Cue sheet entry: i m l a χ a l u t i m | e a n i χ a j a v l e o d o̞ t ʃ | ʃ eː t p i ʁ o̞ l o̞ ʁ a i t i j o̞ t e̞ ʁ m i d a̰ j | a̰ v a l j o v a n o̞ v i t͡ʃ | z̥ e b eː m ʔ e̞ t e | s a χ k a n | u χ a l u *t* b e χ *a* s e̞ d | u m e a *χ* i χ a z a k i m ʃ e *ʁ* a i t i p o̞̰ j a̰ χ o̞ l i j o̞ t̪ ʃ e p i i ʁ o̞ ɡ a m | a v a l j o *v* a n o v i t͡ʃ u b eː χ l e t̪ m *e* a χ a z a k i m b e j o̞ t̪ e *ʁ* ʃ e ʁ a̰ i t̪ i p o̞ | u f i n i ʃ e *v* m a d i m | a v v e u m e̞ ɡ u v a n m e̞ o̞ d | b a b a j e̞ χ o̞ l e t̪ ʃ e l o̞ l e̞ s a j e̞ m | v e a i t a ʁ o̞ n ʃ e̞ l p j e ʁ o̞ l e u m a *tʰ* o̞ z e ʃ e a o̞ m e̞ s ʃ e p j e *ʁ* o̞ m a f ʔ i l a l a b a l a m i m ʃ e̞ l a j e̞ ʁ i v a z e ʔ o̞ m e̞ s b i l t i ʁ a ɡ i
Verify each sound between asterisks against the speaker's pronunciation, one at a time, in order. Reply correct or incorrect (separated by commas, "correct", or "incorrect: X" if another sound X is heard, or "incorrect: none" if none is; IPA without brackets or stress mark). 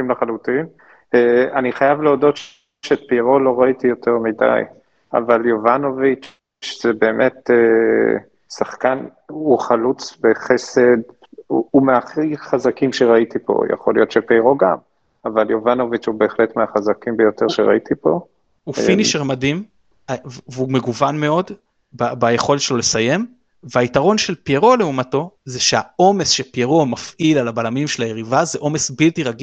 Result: incorrect: t͡s, incorrect: e, correct, correct, correct, correct, correct, incorrect: ʁ, incorrect: t, correct